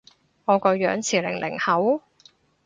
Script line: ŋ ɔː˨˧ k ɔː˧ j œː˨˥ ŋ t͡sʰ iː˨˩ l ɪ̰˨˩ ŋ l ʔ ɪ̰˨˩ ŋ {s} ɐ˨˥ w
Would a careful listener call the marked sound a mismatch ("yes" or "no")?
yes